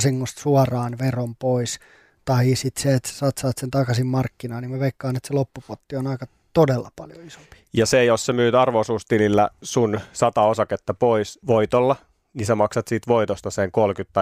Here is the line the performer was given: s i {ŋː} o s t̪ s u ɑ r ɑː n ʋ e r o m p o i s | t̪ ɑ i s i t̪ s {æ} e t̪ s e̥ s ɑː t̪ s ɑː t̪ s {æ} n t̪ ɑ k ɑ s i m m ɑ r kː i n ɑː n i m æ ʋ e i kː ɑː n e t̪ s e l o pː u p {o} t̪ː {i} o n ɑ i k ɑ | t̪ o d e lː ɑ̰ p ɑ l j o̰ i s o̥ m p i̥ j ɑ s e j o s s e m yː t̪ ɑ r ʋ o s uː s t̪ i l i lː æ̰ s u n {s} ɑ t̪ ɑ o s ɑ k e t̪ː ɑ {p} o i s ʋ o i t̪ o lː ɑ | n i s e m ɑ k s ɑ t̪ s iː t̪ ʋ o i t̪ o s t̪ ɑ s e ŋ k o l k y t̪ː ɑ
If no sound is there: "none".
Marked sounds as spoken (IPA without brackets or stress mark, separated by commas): ŋː, e, e, o, i, s, p